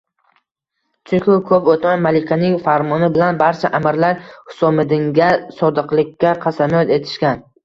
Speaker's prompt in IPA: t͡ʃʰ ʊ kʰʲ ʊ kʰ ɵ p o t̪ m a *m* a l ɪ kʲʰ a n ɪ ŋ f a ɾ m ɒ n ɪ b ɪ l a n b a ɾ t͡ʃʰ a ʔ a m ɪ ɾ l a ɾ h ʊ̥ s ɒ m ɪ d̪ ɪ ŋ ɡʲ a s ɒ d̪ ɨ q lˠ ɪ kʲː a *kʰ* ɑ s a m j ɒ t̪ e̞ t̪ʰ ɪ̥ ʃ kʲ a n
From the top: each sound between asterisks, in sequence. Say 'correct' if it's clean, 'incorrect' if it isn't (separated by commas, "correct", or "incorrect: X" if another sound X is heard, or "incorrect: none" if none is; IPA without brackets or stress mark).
correct, incorrect: qʰ